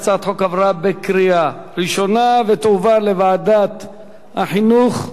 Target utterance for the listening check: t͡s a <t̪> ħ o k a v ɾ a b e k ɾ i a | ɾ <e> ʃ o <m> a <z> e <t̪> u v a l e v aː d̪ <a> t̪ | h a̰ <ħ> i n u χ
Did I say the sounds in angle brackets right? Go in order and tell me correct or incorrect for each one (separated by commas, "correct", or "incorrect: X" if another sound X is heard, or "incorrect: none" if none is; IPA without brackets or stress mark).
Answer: correct, incorrect: i, incorrect: n, incorrect: v, correct, correct, correct